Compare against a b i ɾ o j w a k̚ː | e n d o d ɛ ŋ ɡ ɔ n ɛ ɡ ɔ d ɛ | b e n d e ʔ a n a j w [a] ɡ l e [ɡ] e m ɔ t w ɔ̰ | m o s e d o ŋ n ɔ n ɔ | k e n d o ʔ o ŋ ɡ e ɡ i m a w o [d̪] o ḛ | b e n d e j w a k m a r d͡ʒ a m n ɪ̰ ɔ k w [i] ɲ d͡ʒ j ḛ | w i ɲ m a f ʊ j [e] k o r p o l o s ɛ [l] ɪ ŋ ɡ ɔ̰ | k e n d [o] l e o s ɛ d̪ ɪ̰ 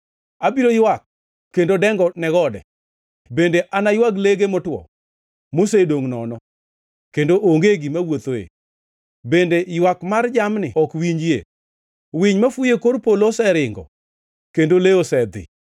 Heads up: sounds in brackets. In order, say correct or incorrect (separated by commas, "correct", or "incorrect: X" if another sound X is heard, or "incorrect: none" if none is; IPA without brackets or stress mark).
correct, correct, incorrect: t̪, correct, correct, incorrect: ɾ, correct